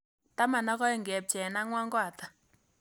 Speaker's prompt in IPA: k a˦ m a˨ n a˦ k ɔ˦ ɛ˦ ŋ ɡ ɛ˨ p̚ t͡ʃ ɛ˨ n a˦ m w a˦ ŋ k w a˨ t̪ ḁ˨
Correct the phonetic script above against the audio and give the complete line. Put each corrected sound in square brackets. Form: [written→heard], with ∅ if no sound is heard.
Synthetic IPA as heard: [k→t] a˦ m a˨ n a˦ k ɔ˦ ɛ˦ ŋ ɡ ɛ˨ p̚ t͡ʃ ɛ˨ n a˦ [m→ŋ] w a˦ ŋ [k→ɡ] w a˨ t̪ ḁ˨